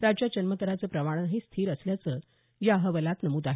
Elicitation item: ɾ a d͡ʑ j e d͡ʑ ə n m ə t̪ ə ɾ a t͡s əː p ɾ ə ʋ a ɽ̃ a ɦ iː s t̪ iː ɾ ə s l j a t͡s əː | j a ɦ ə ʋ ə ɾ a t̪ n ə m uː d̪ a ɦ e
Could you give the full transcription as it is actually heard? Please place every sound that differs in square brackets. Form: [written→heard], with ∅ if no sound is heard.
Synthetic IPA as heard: ɾ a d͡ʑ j [e→a] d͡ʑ ə n m ə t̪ ə ɾ a t͡s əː p ɾ ə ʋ a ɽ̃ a ɦ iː s [t̪→t̪ʰ] iː ɾ ə s l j a t͡s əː | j a ɦ ə ʋ ə [ɾ→l] a t̪ n ə m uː d̪ a ɦ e